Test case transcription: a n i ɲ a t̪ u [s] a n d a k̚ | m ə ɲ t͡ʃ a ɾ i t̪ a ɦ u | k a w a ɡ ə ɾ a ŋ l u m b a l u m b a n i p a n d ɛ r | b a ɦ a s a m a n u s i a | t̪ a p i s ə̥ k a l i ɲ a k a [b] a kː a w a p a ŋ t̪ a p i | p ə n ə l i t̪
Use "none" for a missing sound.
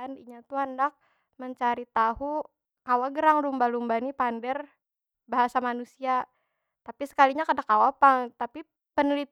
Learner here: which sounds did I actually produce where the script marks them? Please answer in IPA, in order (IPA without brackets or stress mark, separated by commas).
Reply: none, d